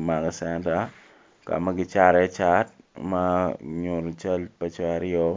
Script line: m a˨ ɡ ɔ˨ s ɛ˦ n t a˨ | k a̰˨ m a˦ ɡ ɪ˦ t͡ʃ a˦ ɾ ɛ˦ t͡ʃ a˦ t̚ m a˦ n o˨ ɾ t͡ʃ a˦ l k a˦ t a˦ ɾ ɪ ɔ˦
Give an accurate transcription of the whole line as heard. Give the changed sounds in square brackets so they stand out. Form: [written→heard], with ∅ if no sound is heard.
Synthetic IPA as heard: m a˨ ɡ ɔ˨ s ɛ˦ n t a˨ | k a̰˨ m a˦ ɡ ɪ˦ t͡ʃ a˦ ɾ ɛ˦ t͡ʃ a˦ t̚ m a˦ [n→ɲ] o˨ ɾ t͡ʃ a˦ l [k→p] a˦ [t→t͡ʃ] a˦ ɾ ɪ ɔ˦